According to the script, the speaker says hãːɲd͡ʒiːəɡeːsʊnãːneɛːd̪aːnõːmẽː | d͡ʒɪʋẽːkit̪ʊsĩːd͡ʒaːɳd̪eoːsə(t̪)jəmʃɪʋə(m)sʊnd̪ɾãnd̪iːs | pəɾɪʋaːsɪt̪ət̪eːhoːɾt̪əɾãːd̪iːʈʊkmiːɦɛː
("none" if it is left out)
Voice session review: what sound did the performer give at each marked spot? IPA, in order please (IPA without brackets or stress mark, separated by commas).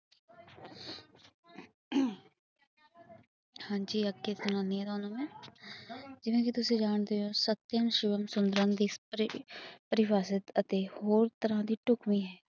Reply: t̪, m